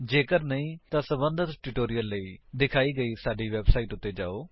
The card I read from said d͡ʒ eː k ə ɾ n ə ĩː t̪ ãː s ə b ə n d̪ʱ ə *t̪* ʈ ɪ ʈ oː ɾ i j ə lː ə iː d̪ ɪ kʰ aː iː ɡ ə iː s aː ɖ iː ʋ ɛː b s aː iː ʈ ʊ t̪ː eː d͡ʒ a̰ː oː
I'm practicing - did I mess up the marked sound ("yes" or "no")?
no